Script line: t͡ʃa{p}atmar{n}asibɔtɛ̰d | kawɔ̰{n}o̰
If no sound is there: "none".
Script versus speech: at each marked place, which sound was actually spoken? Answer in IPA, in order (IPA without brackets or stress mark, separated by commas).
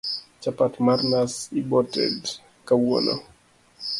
p, n, n